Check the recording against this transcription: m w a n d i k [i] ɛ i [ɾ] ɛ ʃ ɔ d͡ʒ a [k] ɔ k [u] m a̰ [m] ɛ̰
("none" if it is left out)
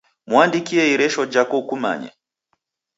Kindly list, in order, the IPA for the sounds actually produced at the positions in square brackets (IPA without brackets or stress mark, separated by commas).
i, ɾ, k, u, ɲ